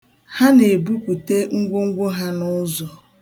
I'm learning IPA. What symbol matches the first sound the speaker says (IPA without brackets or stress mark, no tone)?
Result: h